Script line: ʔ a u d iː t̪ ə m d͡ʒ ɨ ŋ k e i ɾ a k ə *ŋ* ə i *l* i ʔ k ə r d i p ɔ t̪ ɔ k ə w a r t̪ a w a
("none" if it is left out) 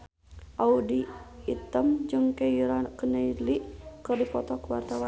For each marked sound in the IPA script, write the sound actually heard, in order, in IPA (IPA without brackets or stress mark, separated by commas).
n, l